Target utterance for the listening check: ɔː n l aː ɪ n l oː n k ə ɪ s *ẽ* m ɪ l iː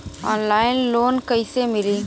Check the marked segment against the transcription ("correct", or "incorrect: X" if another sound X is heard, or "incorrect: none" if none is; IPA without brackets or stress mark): incorrect: e